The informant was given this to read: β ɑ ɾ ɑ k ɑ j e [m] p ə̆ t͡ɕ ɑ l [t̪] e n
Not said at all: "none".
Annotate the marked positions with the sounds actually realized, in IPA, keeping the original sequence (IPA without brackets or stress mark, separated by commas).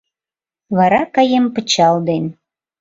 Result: m, d̪